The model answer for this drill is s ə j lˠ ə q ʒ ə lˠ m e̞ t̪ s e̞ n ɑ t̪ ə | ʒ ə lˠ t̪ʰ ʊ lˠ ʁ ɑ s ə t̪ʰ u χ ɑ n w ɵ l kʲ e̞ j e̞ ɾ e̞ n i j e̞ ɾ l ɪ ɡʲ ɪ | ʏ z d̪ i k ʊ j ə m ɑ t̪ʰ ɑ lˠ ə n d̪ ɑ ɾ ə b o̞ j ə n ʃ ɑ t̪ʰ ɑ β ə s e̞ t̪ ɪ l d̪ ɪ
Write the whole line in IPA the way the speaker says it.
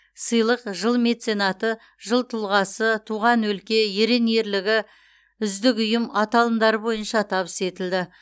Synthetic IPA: s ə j lˠ ə q ʒ ə lˠ m e̞ t̪ s e̞ n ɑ t̪ ə | ʒ ə lˠ t̪ʰ ʊ lˠ ʁ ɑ s ə t̪ʰ u ʁ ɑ n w ɵ l kʲ e̞ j e̞ ɾ e̞ n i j e̞ ɾ l ɪ ɡʲ ɪ | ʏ z d̪ ɪ k ʊ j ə m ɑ t̪ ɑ lˠ ə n d̪ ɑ ɾ ə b o̞ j ə n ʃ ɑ t̪ʰ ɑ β ə s e̞ t̪ ɪ l d̪ ɪ